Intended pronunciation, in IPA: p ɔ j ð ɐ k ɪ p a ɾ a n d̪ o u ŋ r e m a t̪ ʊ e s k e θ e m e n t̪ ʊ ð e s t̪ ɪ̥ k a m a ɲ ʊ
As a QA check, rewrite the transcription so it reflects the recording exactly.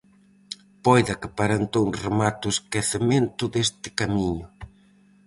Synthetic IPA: p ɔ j ð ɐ k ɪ p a ɾ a n t̪ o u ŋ r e m a t̪ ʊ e s k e θ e m e n t̪ ʊ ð e s t̪ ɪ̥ k a m i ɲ ʊ

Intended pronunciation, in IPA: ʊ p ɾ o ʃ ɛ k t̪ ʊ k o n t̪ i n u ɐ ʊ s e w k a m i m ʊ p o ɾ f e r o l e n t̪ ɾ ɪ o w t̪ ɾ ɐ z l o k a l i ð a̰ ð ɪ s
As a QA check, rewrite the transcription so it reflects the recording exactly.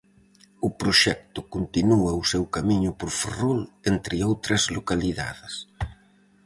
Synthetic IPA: ʊ p ɾ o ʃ ɛ k t̪ ʊ k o n t̪ i n u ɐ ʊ s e w k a m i ɲ ʊ p o ɾ f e r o l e n t̪ ɾ ɪ o w t̪ ɾ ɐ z l o k a l i ð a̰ ð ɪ s

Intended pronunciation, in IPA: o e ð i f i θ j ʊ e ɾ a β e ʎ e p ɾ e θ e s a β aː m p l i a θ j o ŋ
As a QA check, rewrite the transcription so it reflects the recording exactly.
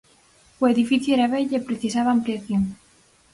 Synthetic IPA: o e ð i f i θ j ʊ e ɾ a β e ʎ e p ɾ e θ i s a β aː m p l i a θ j o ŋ

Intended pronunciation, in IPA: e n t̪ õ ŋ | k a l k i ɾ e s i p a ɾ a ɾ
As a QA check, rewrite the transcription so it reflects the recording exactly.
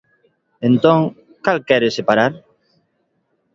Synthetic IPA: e n t̪ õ ŋ | k a l k ɛ ɾ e s e p a ɾ a ɾ

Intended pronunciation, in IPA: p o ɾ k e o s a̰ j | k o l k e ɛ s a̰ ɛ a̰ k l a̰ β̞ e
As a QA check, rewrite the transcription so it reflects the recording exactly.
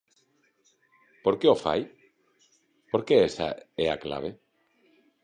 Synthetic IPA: p o ɾ k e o f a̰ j | p o ɾ k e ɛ s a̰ ɛ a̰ k l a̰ β̞ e

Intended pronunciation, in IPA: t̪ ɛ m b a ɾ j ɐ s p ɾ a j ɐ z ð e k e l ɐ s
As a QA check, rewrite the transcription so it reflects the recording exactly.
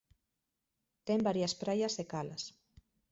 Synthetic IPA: t̪ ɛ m b a ɾ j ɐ s p ɾ a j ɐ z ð e k a l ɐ s

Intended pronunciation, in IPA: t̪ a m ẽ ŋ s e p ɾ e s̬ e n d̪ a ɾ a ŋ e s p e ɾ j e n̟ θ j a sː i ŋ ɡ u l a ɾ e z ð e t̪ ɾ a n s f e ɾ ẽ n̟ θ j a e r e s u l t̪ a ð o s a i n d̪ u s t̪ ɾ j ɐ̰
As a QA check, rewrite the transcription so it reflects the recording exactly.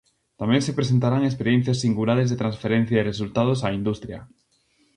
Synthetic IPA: t̪ a m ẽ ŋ s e p ɾ e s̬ e n t̪ a ɾ a ŋ e s p e ɾ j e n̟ θ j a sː i ŋ ɡ u l a ɾ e z ð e t̪ ɾ a n s f e ɾ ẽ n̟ θ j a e r e s u l t̪ a ð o s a i n d̪ u s t̪ ɾ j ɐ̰

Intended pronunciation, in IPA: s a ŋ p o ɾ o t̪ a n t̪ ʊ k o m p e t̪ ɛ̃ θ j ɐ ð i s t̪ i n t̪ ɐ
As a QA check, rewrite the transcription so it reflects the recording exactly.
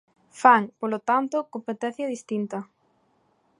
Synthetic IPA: f a ŋ p o l o t̪ a n t̪ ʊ k o m p e t̪ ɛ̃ θ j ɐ ð i s t̪ i n t̪ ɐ

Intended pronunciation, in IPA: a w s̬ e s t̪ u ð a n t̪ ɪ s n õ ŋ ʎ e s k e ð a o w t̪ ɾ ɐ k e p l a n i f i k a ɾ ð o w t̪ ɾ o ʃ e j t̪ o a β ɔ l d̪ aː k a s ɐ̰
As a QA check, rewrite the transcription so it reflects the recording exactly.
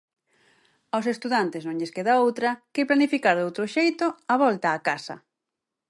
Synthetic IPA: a w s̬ e s t̪ u ð a n t̪ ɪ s n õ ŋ ʎ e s k e ð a o w t̪ ɾ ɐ k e p l a n i f i k a ɾ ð o w t̪ ɾ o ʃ e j t̪ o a β ɔ l t̪ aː k a s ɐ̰

